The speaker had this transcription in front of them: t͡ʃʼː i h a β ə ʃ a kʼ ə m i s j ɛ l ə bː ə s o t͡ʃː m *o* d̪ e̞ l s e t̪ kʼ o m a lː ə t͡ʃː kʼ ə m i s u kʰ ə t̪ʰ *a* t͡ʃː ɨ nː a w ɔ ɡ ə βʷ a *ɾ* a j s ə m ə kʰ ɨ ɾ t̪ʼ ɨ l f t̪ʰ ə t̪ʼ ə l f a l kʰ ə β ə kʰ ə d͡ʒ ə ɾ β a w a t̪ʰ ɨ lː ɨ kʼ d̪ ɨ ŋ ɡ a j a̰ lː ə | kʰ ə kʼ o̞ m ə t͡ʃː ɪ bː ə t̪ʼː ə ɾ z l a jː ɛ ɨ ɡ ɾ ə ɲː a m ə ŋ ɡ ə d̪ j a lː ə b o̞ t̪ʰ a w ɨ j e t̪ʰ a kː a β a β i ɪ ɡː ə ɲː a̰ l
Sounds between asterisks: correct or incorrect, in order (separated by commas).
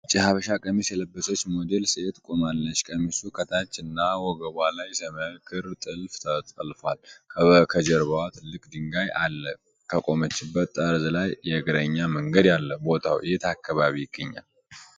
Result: correct, correct, incorrect